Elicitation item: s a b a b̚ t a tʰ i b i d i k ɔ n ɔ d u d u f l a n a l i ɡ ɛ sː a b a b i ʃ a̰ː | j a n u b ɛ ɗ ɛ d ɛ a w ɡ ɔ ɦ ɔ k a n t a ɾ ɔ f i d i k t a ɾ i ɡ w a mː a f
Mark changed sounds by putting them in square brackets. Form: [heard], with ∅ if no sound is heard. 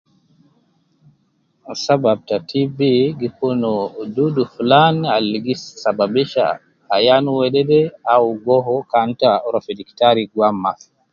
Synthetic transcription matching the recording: s a b a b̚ t a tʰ i b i [ɡ] i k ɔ n ɔ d u d u f l a n a l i ɡ [i] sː a b a b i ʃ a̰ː | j a n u [w] ɛ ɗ ɛ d ɛ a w ɡ ɔ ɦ ɔ k a n t a ɾ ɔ f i d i k t a ɾ i ɡ w a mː a f